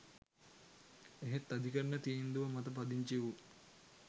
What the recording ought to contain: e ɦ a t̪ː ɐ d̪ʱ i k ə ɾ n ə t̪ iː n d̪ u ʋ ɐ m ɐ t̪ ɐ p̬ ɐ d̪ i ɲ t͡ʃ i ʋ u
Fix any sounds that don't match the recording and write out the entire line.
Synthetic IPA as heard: e ɦ e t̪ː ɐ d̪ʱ i k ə ɾ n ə t̪ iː n d̪ u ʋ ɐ m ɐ t̪ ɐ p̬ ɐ d̪ i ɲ t͡ʃ i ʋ u